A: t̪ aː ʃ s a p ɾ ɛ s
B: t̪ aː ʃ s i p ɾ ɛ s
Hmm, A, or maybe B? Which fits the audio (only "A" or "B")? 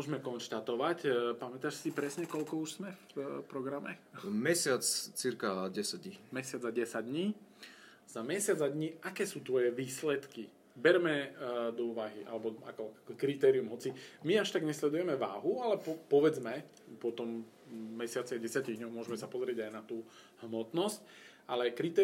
B